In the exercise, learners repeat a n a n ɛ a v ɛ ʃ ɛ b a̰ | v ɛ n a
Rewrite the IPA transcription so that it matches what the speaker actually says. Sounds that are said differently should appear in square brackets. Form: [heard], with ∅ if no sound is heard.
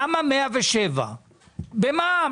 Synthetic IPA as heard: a [m] a [m] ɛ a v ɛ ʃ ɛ [v] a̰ | [b] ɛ [m] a